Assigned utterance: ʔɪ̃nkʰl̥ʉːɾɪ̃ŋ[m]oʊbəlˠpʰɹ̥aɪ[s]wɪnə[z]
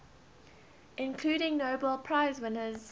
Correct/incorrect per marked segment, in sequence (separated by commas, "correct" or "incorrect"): incorrect, incorrect, correct